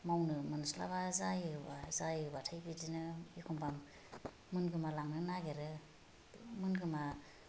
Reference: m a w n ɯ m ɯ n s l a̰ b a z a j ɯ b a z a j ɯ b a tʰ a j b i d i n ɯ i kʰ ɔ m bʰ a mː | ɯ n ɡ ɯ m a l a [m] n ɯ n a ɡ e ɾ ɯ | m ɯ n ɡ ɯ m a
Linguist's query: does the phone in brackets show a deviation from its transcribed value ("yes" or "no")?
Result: yes